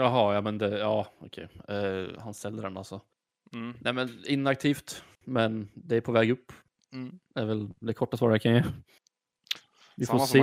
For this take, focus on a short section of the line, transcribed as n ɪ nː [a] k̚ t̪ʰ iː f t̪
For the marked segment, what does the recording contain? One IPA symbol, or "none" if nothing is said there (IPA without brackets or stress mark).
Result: a